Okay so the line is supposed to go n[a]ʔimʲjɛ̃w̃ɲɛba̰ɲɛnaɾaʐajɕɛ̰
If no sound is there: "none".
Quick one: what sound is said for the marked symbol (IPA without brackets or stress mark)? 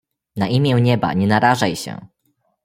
a